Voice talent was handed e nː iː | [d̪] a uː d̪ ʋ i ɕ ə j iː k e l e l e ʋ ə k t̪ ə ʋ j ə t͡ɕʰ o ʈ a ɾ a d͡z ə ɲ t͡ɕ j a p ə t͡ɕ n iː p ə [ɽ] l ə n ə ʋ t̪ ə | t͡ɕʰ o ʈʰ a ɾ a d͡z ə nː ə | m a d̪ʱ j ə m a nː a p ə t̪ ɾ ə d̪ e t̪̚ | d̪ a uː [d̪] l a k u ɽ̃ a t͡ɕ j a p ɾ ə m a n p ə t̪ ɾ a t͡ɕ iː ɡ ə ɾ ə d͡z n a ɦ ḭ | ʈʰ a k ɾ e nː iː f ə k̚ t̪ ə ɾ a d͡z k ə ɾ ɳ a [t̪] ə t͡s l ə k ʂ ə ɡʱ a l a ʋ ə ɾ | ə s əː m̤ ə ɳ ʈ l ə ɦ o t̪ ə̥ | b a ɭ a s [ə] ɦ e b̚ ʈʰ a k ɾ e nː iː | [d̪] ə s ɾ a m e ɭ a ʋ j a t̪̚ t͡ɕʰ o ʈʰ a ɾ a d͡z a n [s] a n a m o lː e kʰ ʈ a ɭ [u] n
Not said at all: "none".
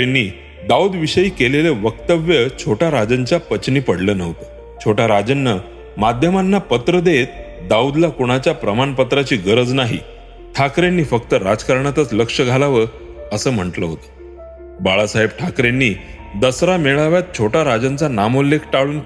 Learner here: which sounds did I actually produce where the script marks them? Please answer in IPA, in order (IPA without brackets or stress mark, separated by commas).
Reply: d̪, ɽ, d̪, t̪, a, d̪, t͡s, uː